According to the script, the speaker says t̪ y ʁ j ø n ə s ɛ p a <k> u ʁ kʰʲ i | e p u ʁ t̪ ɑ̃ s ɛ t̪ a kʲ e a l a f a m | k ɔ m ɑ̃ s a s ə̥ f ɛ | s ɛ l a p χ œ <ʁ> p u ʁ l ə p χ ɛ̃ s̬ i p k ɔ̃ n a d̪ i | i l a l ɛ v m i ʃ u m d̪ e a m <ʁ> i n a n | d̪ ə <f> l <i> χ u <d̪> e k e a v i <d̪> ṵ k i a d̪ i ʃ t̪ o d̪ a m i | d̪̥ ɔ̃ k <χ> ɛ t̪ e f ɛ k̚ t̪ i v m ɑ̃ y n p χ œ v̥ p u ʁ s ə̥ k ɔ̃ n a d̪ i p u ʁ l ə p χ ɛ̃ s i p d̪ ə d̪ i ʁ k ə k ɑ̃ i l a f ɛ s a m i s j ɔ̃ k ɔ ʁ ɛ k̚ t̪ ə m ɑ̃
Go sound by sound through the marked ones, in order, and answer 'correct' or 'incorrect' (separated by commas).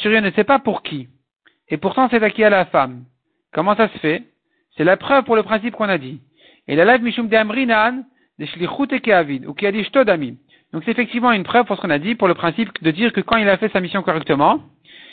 incorrect, incorrect, correct, incorrect, correct, incorrect, correct, incorrect